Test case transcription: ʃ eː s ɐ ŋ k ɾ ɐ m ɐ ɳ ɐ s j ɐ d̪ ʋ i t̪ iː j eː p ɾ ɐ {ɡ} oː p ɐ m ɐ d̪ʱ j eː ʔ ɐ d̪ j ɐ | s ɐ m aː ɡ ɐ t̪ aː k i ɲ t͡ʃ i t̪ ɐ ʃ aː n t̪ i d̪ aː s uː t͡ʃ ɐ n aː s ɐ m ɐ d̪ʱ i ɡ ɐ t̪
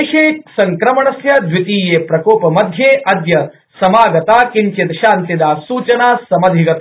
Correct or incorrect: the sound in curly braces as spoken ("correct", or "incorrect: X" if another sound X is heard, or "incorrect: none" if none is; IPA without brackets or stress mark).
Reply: incorrect: k